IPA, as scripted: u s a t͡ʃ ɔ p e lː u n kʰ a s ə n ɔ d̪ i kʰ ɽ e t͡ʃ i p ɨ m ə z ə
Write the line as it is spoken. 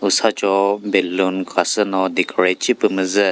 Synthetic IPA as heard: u s a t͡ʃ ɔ b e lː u n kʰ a s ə n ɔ d̪ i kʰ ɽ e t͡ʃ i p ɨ m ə z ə